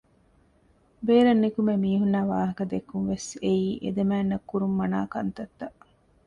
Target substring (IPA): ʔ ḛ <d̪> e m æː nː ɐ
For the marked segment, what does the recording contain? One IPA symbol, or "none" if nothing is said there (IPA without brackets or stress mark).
d̪